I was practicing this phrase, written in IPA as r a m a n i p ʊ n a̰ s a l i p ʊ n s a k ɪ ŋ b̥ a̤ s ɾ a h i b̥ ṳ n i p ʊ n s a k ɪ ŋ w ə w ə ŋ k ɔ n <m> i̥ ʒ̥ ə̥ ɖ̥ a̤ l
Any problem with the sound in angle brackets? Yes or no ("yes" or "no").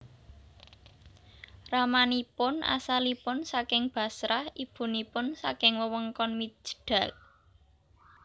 no